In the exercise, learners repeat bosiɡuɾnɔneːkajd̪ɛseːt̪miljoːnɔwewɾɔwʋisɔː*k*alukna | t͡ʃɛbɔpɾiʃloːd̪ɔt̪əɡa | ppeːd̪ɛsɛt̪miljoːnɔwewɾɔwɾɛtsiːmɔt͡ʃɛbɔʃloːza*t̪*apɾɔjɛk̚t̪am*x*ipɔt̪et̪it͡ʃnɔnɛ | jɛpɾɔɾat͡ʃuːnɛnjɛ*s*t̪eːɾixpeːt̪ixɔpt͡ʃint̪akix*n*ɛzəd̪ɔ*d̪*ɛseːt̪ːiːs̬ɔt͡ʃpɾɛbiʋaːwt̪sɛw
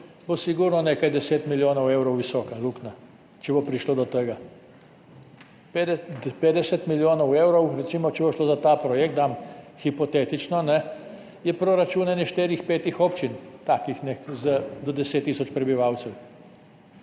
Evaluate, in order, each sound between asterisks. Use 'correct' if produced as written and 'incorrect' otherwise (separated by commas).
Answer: correct, correct, correct, incorrect, correct, correct